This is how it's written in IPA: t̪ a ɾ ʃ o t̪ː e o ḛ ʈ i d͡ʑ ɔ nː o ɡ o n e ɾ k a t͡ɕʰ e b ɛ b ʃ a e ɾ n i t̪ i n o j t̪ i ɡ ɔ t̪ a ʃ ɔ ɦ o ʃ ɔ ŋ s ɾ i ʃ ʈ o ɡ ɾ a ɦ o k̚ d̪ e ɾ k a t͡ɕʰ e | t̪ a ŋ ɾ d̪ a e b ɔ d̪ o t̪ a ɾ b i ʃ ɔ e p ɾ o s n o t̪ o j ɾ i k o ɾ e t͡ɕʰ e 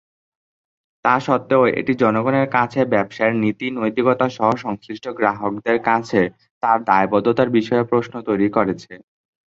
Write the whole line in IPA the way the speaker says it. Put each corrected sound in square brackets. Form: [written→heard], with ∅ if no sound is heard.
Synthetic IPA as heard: t̪ a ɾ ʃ [o→ɔ] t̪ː e o ḛ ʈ i d͡ʑ ɔ [nː→n] o ɡ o n e ɾ k a t͡ɕʰ e b ɛ b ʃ a e ɾ n i t̪ i n o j t̪ i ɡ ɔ t̪ a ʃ ɔ ɦ o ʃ ɔ ŋ s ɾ i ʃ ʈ o ɡ ɾ a ɦ o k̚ d̪ e ɾ k a t͡ɕʰ e | t̪ a [ŋ→∅] ɾ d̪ a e b ɔ d̪ o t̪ a ɾ b i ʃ ɔ e p ɾ o s n o t̪ o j ɾ i k o ɾ e t͡ɕʰ e